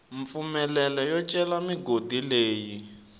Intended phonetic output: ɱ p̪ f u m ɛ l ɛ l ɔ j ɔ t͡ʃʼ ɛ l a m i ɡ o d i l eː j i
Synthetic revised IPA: ɱ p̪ f u m ɛ l ɛ l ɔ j ɔ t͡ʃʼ ɛ l a m i ɡ o d i l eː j i

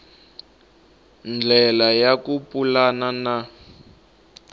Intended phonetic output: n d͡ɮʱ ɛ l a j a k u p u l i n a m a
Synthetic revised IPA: n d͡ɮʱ ɛ l a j a k u p u l a n a n a

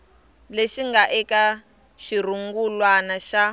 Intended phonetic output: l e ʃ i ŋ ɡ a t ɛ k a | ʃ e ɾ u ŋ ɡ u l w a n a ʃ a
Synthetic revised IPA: l e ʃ i ŋ ɡ a ʔ ɛ k a | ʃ i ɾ u ŋ ɡ u l w a n a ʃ a

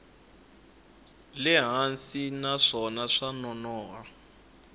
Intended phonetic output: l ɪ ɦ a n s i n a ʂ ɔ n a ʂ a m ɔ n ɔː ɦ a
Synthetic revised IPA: l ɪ ɦ a n s i n a ʂ ɔ n a ʂ a n ɔ n ɔː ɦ a

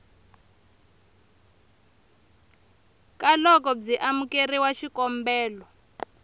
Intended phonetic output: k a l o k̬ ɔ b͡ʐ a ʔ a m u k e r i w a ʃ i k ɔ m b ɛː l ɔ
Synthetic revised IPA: k a l ɔ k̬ ɔ b͡ʐ i ʔ a m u k e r i w a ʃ i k ɔ m b ɛː l ɔ

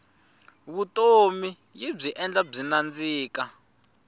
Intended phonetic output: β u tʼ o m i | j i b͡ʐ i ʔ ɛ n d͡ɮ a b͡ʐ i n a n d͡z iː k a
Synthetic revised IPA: β u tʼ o m i | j i b͡ʐ i ʔ ɛ n d͡ɮ a b͡ʐ i n a n d͡z iː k a

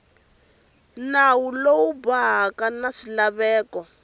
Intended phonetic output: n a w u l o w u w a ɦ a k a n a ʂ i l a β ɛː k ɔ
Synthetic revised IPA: n a w u l o w u b a ɦ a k a n a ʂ i l a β ɛː k ɔ

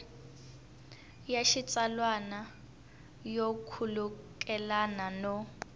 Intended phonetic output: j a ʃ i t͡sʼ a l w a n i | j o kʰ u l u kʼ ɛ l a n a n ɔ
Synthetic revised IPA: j a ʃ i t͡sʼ a l w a n a | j o kʰ u l u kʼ ɛ l a n a n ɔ

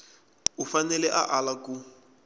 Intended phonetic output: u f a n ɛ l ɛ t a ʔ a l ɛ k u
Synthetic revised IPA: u f a n ɛ l ɛ ʔ a ʔ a l a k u

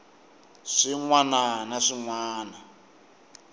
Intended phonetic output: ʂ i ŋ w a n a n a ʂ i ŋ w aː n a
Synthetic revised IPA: ʂ i ŋ w a n a n a ʂ i ŋ w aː n a

